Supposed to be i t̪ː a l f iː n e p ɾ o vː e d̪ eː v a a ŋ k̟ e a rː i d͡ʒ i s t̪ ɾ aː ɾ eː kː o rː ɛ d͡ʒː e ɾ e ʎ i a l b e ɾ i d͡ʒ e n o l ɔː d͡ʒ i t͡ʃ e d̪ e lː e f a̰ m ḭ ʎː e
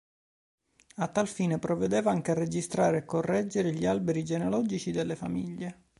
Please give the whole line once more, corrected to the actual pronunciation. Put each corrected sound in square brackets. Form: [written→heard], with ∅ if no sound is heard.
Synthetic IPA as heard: [i→a] t̪ː a l f iː n e p ɾ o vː e d̪ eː v a a ŋ k̟ e a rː [i→e] d͡ʒ i s t̪ ɾ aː ɾ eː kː o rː ɛ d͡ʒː e ɾ e ʎ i a l b e ɾ i d͡ʒ e n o l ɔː d͡ʒ i t͡ʃ [e→i] d̪ e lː e f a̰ m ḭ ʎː e